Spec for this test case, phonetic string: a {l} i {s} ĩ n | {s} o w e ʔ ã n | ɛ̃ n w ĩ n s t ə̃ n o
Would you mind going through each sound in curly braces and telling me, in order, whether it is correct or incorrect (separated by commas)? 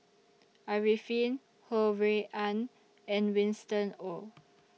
incorrect, incorrect, incorrect